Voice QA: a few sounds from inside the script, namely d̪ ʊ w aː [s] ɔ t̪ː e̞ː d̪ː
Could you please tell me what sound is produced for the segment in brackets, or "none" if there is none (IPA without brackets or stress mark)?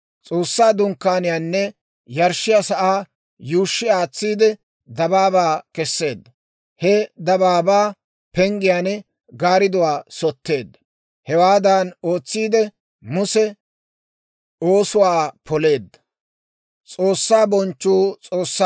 s